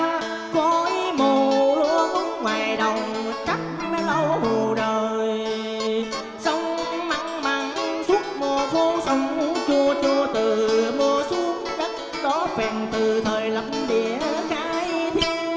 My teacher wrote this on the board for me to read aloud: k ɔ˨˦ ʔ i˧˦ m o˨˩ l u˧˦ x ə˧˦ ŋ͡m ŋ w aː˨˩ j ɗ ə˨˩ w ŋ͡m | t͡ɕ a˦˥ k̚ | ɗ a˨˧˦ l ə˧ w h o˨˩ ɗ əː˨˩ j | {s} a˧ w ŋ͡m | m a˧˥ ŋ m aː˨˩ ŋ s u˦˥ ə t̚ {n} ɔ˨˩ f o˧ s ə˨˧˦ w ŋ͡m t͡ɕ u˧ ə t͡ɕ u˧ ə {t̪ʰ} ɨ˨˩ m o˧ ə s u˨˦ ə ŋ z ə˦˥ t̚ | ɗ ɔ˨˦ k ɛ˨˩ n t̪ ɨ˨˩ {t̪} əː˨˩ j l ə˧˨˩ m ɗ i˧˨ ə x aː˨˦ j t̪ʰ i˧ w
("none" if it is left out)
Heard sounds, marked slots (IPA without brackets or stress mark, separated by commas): s, m, t̪, t̪ʰ